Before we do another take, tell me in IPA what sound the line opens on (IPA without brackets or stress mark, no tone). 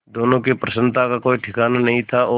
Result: d̪